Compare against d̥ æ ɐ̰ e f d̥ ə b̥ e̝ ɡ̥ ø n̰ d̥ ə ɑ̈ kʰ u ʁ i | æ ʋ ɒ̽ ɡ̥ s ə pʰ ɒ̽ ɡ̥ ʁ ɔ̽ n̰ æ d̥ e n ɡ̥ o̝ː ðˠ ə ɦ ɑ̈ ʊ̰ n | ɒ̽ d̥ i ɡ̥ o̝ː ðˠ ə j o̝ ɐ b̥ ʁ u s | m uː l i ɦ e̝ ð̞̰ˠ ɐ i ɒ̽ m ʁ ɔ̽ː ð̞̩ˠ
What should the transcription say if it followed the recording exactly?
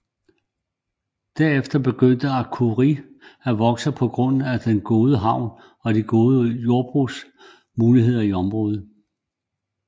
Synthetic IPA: d̥ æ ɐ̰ e f d̥ ɐ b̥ e̝ ɡ̥ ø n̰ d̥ ə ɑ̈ kʰ u ʁ i | æ ʋ ɒ̽ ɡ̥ s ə pʰ ɒ̽ ɡ̥ ʁ ɔ̽ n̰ æ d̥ e n ɡ̥ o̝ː ðˠ ə ɦ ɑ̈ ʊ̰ n | ɒ̽ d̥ i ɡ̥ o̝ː ðˠ ə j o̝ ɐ b̥ ʁ u s | m uː l i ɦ e̝ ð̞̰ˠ ɐ i ɒ̽ m ʁ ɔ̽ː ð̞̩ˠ